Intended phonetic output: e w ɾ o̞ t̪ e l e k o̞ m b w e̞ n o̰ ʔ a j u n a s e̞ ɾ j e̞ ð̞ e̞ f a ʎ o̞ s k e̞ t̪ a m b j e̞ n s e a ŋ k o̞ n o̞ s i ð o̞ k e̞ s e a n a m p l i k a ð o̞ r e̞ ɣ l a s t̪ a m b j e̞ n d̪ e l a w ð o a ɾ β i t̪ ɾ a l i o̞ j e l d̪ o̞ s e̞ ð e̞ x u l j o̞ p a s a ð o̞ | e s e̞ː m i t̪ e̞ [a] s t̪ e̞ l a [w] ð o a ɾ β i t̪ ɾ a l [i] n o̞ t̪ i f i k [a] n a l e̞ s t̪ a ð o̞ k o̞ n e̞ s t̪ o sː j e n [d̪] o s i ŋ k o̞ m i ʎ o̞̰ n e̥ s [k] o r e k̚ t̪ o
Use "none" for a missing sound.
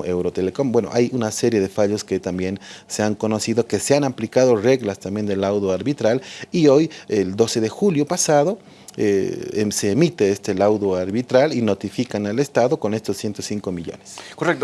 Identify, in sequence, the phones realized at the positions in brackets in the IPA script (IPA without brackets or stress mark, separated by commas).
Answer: e, w, i, a, t̪, k